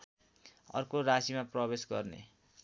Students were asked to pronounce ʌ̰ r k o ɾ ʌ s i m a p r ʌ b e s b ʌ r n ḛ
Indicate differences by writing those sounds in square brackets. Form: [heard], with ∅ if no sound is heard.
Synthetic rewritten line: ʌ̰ r k o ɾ [a] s i m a p r ʌ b e s [ɡ] ʌ r n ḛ